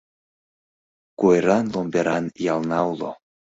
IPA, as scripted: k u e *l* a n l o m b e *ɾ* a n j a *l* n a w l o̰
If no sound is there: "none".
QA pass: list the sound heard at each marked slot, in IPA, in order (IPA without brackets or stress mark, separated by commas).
ɾ, ɾ, l